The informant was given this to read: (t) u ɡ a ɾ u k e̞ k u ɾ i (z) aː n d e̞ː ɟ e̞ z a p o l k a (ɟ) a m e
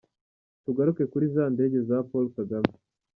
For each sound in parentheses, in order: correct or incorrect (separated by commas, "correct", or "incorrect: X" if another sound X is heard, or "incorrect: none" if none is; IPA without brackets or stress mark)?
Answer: correct, correct, incorrect: ɡ